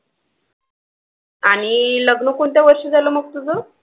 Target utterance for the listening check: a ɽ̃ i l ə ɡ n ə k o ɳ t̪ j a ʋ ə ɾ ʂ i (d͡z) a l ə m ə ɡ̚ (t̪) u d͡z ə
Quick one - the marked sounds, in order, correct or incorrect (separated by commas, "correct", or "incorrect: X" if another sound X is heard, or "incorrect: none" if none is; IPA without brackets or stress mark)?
correct, correct